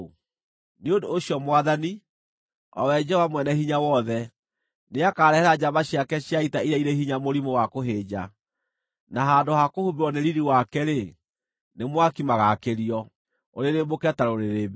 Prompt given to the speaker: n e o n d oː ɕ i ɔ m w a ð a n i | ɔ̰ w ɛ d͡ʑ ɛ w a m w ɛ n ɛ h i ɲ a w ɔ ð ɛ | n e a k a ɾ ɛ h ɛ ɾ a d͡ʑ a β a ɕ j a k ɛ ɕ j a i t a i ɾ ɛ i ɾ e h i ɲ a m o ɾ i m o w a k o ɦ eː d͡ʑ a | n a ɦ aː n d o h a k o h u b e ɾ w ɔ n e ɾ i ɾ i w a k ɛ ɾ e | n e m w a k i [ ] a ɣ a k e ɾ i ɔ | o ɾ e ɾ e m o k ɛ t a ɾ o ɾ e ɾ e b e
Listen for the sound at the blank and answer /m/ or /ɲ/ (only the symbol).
m